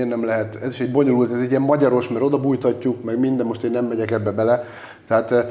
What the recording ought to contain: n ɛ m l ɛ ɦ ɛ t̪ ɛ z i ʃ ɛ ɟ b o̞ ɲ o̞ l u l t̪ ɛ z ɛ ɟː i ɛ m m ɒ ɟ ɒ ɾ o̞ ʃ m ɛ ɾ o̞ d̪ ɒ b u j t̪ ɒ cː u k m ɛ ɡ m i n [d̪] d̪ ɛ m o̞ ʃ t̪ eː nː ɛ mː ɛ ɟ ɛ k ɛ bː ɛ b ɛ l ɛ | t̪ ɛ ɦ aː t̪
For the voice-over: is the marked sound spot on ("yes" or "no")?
yes